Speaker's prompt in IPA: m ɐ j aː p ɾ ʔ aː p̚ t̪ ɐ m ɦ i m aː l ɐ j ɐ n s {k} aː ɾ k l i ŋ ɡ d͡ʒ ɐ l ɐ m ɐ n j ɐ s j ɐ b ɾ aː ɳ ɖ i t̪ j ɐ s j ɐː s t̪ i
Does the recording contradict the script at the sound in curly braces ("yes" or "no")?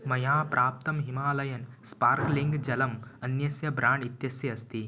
yes